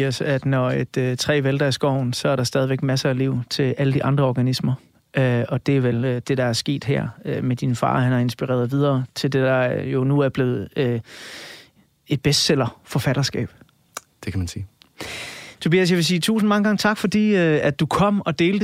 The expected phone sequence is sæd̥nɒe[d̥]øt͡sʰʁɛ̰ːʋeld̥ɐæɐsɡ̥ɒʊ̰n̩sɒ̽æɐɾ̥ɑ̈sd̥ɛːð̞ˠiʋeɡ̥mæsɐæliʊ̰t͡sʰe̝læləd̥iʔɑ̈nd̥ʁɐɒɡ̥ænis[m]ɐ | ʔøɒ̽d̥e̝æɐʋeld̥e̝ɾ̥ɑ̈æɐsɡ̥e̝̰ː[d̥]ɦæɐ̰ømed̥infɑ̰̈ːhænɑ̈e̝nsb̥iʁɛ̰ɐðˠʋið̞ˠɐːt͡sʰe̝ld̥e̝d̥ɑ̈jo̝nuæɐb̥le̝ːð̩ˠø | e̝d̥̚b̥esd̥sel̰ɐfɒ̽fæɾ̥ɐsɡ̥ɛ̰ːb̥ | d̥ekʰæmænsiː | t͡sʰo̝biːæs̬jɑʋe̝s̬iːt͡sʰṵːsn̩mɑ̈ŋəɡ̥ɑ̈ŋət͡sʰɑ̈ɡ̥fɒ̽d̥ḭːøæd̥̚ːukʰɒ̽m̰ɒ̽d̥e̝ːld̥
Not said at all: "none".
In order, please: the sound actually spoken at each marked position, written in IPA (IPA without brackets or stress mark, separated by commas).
d̥, m, d̥